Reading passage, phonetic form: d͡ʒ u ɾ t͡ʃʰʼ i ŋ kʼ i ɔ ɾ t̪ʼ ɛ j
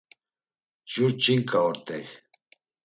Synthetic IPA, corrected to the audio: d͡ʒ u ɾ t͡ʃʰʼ i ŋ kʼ a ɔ ɾ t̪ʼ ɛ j